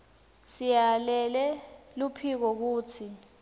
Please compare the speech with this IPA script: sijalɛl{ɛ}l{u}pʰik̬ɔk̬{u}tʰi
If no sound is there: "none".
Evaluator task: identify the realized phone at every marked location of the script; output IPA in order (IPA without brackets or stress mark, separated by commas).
ɛ, u, uː